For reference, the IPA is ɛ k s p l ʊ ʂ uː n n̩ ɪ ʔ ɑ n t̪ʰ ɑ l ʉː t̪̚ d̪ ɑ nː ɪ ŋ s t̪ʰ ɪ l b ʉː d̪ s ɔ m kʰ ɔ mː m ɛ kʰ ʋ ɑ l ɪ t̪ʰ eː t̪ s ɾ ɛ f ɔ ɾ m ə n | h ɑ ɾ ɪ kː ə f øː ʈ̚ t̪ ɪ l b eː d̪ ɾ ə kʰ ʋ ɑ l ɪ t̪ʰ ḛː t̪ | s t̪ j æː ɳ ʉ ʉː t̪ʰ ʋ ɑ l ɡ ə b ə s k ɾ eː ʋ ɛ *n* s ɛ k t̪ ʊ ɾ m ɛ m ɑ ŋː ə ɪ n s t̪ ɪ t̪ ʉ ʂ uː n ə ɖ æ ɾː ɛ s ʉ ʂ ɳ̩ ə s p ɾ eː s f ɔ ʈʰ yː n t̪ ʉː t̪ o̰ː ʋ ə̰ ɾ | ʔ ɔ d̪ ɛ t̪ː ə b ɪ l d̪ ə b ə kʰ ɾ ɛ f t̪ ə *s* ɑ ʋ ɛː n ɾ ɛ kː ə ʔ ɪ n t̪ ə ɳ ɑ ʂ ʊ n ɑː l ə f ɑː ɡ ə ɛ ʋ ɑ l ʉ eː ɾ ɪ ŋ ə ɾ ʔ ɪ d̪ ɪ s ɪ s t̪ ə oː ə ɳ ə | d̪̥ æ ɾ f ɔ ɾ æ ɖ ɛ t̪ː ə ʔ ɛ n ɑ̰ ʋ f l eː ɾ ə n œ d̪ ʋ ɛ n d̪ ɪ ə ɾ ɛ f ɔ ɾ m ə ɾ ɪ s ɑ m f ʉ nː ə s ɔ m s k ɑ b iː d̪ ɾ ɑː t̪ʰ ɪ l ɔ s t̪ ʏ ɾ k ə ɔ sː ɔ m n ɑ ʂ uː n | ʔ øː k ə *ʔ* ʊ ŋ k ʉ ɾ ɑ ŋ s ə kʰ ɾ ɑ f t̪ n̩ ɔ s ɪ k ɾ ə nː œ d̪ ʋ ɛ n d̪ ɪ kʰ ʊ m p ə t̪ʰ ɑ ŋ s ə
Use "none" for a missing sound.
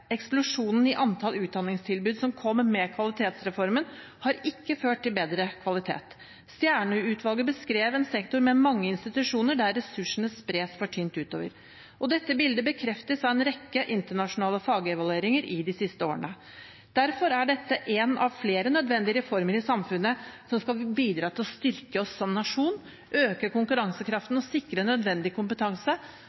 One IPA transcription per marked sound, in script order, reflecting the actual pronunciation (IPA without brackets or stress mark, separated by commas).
n, s, k